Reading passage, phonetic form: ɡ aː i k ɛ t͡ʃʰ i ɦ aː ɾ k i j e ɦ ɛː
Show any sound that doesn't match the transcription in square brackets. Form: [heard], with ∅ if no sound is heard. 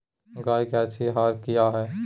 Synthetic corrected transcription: ɡ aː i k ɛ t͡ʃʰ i ɦ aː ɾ k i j [a] ɦ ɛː

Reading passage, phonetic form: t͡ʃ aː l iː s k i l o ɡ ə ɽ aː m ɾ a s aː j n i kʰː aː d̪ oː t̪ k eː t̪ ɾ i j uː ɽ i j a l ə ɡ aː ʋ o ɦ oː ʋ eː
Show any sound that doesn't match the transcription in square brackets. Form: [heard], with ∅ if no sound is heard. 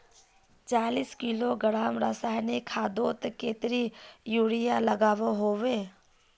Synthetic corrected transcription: t͡ʃ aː l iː s k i l o ɡ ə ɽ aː m ɾ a s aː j n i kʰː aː d̪ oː t̪ k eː t̪ ɾ i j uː ɽ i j a l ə ɡ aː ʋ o ɦ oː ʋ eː

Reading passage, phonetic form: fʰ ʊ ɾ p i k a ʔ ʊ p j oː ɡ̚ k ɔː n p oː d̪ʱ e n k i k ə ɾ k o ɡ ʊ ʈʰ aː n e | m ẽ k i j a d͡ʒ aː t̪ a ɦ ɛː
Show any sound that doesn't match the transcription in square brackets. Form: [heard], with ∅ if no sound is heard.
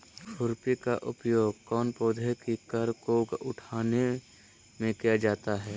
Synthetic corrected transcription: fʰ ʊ ɾ p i k a ʔ ʊ p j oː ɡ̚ k ɔː n p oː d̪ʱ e [∅] k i k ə ɾ k o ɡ ʊ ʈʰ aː n e | m ẽ k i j a d͡ʒ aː t̪ a ɦ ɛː

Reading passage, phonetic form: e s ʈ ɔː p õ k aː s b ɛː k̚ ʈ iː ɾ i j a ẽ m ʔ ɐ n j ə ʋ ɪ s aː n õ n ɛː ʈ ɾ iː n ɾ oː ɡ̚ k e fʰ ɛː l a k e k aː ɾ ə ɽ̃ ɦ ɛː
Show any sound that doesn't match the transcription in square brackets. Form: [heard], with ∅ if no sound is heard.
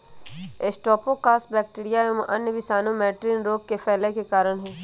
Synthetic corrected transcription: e s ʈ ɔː p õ k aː s b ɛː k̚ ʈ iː ɾ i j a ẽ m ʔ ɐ n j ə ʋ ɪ s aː n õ [m] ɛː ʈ ɾ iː n ɾ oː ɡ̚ k e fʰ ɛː l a k e k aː ɾ ə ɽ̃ ɦ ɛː

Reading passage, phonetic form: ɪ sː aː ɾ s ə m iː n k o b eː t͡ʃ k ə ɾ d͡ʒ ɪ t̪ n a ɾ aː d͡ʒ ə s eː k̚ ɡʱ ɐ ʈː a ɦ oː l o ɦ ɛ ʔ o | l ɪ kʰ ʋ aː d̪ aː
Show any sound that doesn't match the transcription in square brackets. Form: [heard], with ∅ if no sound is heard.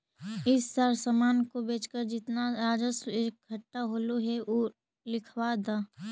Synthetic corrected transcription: ɪ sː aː ɾ s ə m [aː] n k o b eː t͡ʃ k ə ɾ d͡ʒ ɪ t̪ n a ɾ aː d͡ʒ ə s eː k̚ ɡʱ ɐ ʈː a ɦ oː l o ɦ ɛ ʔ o | l ɪ kʰ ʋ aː d̪ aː

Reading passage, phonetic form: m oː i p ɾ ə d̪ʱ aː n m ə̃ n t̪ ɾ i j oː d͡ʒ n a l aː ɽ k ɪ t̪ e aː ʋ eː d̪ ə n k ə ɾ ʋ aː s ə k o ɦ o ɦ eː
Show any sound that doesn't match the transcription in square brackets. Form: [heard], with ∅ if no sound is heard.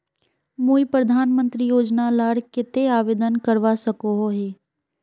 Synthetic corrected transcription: m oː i p ɾ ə d̪ʱ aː n m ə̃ n t̪ ɾ i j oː d͡ʒ n a l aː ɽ k ɪ t̪ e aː ʋ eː d̪ ə n k ə ɾ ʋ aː s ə k o ɦ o ɦ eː

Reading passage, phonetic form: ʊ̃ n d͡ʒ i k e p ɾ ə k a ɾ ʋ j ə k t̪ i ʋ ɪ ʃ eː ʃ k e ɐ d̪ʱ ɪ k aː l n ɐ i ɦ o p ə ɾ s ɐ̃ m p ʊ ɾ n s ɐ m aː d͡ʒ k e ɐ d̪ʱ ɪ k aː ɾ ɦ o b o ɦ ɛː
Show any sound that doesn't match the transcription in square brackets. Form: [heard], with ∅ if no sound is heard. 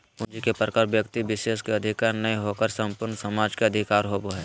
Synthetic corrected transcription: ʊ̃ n d͡ʒ i k e p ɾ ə k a ɾ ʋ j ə k t̪ i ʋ ɪ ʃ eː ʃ k e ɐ d̪ʱ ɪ k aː [ɾ] n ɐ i ɦ o [k] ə ɾ s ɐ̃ m p ʊ ɾ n s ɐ m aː d͡ʒ k e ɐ d̪ʱ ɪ k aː ɾ ɦ o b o ɦ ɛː

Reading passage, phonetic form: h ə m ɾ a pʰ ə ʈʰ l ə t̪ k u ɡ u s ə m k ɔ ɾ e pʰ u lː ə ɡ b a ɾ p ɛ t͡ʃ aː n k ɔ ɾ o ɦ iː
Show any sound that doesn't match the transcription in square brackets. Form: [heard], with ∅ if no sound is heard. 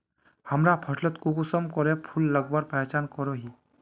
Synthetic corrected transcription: h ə m ɾ a pʰ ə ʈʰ l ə t̪ k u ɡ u s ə m k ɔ ɾ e pʰ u lː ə ɡ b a ɾ p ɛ t͡ʃ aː n k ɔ ɾ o ɦ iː

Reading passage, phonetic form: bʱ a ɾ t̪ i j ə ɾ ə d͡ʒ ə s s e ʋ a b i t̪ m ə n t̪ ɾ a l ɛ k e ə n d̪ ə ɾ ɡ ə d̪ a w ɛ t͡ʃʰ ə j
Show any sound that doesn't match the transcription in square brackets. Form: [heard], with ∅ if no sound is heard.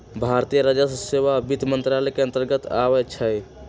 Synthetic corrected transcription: bʱ a ɾ t̪ i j ə ɾ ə d͡ʒ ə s s e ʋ a b i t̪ m ə n t̪ ɾ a l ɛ k e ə n [t̪] ə ɾ ɡ ə [t̪] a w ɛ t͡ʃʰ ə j

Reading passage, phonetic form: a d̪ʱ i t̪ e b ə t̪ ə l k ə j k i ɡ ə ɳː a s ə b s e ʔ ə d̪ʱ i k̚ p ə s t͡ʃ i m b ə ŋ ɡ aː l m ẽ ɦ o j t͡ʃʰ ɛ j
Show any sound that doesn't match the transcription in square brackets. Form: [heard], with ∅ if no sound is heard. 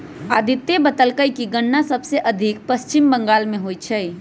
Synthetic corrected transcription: a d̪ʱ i t̪ e b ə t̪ ə l k ə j k i ɡ ə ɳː a s ə b s e ʔ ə d̪ʱ i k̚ p ə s t͡ʃ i m b ə ŋ ɡ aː l m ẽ ɦ o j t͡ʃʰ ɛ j

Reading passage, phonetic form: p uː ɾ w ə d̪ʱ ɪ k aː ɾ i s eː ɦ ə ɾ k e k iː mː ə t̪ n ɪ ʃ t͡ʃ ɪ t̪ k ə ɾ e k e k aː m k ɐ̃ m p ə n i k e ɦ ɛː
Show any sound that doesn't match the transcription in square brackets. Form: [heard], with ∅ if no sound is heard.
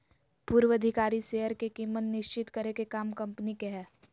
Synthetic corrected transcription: p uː ɾ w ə d̪ʱ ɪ k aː ɾ i s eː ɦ ə ɾ k e k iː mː ə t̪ n ɪ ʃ t͡ʃ ɪ t̪ k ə ɾ e k e k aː m k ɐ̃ m p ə n i k e ɦ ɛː

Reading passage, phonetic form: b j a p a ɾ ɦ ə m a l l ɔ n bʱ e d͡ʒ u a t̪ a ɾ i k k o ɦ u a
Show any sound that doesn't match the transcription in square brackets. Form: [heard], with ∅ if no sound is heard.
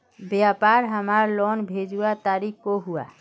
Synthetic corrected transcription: b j a p a ɾ ɦ ə m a [ɾ] l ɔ n bʱ e d͡ʒ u a t̪ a ɾ i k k o ɦ u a

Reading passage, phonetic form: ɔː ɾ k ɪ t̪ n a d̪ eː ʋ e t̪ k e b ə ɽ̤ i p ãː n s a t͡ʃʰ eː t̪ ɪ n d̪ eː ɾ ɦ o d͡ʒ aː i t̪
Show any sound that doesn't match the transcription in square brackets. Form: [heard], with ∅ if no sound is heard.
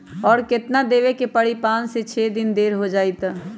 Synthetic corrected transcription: ɔː ɾ k ɪ t̪ n a d̪ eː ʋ e [∅] k e [p] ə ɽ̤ i p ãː n s [e] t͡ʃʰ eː [d̪] ɪ n d̪ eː ɾ ɦ o d͡ʒ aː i t̪

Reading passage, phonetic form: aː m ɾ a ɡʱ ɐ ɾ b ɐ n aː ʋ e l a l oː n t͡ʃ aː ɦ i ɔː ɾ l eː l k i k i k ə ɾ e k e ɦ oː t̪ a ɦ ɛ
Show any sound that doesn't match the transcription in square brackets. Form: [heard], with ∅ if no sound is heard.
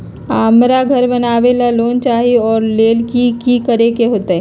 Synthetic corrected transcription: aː m ɾ a ɡʱ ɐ ɾ b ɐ n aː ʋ e l a l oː n t͡ʃ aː ɦ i ɔː ɾ l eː l k i k i k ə ɾ e k e ɦ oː t̪ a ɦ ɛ

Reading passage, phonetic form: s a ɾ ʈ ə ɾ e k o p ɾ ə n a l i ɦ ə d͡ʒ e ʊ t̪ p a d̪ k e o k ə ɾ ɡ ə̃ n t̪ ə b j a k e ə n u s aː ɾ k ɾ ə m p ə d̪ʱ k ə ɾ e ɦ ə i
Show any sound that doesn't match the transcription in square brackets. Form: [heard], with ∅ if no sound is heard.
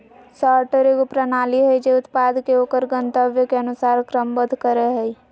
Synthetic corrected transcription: s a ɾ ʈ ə ɾ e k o p ɾ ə n a l i ɦ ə d͡ʒ e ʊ t̪ p a d̪ k e o k ə ɾ ɡ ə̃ n t̪ ə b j [ə] k e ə n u s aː ɾ k ɾ ə m [b] ə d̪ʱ k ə ɾ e ɦ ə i

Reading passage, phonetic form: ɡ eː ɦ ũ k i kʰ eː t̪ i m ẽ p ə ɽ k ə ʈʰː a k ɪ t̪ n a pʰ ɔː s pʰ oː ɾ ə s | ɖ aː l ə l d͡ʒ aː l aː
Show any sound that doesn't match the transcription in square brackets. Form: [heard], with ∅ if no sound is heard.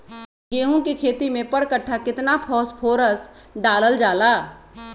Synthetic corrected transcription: ɡ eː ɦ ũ k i kʰ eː t̪ i m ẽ p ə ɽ k ə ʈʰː a k ɪ t̪ n a pʰ ɔː s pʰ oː ɾ ə s | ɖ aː l ə l d͡ʒ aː l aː

